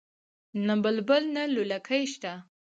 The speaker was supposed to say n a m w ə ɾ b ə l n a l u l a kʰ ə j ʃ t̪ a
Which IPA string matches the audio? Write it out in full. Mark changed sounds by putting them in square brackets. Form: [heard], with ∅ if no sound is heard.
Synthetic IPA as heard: n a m [b] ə [l] b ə l n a l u l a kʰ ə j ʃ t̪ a